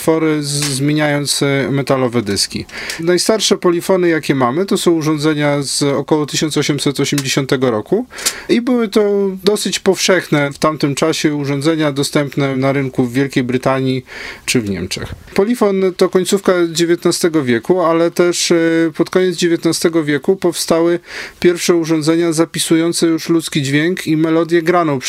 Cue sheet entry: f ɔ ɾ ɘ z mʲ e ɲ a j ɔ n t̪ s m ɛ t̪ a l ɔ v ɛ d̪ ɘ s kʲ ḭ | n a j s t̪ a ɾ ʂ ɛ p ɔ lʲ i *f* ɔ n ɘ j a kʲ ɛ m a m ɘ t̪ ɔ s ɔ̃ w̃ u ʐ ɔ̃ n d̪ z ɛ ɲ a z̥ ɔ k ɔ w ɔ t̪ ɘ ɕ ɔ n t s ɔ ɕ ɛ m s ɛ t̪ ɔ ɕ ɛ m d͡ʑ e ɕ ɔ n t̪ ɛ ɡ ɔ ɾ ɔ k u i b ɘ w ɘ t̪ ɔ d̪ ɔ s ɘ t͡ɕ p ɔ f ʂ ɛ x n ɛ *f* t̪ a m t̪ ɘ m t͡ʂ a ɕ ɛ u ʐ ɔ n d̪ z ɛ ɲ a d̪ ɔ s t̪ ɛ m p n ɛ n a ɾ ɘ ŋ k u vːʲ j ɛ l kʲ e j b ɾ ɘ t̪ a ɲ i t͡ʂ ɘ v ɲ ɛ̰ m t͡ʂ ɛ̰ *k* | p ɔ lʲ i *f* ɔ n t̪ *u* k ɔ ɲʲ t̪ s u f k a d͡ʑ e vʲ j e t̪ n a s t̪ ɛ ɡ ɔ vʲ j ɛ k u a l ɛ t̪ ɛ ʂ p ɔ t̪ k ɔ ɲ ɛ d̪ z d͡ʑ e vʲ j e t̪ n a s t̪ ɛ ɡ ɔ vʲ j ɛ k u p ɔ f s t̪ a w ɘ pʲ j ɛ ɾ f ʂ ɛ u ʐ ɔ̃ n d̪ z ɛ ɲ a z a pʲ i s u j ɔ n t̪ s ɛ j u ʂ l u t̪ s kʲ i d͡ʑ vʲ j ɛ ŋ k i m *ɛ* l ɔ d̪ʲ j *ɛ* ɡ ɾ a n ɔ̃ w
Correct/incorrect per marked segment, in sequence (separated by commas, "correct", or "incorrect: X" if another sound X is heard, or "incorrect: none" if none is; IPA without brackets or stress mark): correct, correct, incorrect: x, correct, incorrect: ɔ, correct, correct